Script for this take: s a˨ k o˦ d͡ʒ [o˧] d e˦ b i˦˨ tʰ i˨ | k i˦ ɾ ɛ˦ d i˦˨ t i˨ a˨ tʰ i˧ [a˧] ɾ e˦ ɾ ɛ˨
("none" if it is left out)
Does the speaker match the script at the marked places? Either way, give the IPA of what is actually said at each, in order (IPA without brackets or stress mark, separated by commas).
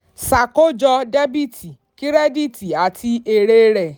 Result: ɔ˧, e˧